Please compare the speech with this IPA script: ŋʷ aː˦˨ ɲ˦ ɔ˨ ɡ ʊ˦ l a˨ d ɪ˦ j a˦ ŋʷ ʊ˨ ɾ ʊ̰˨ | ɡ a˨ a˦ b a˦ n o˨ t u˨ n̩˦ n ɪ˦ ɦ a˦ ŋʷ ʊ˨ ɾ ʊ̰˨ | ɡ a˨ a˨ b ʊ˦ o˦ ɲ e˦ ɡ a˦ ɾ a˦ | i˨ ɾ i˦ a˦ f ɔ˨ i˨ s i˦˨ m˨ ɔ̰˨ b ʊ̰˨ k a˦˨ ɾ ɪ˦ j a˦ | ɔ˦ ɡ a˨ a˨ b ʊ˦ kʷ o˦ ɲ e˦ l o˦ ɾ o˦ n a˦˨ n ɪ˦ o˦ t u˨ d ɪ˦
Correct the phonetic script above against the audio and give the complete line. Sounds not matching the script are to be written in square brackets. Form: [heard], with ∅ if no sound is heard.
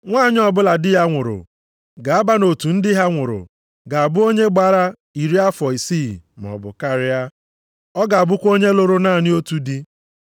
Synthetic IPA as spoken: ŋʷ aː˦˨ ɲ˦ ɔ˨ [b] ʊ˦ l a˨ d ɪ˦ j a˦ ŋʷ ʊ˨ ɾ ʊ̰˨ | ɡ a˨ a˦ b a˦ n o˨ t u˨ n̩˦ [d] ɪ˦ ɦ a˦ ŋʷ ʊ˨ ɾ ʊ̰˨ | ɡ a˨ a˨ b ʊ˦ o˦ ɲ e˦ [ɡ͡b] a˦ ɾ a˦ | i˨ ɾ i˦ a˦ f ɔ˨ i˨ s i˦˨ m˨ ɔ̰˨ b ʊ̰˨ k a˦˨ ɾ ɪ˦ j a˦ | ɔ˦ ɡ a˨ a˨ b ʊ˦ kʷ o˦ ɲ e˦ l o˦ ɾ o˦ n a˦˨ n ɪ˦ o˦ t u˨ d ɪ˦